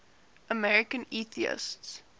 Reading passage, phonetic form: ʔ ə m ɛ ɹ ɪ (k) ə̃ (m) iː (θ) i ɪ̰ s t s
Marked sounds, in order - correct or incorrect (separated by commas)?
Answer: correct, incorrect, correct